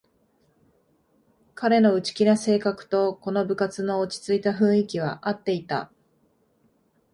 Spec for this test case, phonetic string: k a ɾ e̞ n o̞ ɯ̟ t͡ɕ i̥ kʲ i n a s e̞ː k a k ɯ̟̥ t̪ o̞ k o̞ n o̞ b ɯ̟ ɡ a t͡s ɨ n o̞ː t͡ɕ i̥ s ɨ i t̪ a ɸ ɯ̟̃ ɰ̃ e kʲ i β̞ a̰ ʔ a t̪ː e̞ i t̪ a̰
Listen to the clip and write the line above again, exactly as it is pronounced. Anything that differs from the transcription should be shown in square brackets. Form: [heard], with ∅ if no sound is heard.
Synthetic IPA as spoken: k a ɾ e̞ n o̞ ɯ̟ t͡ɕ i̥ kʲ i n a s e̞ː k a k ɯ̟̥ t̪ o̞ k o̞ n o̞ b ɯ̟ [k] a t͡s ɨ n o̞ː t͡ɕ i̥ [t͡s] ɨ i t̪ a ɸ ɯ̟̃ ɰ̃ [i] kʲ i β̞ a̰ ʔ a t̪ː e̞ i t̪ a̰